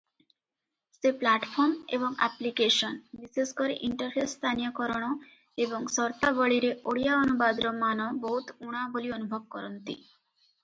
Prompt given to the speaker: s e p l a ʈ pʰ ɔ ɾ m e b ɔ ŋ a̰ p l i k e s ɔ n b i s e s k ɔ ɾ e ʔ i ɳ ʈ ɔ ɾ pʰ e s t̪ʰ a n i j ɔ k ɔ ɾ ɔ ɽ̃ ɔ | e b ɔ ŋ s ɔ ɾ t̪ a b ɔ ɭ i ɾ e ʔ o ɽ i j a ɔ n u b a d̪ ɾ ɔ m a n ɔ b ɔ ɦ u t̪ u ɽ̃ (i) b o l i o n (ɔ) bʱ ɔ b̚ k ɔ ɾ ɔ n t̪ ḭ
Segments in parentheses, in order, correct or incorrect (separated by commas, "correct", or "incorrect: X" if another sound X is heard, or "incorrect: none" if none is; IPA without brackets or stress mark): incorrect: a, incorrect: u